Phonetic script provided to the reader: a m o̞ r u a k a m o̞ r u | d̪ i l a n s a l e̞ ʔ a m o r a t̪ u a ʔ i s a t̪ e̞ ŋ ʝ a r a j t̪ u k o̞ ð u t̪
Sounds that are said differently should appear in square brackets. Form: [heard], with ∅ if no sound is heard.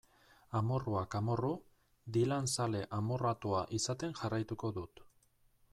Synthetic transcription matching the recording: a m o̞ r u a k a m o̞ r u | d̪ i l a n s a l e̞ ʔ a m o r a t̪ u a ʔ i s a t̪ e̞ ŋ ʝ a r a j t̪ u k o̞ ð u t̪